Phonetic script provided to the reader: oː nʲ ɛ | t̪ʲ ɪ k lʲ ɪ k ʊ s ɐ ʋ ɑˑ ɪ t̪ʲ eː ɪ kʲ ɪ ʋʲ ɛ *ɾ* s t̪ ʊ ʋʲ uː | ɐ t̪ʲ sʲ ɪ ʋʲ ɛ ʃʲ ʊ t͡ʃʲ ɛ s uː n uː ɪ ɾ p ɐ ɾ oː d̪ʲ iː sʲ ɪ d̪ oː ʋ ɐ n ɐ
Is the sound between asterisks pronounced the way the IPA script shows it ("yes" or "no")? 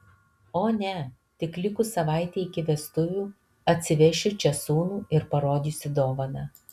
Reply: no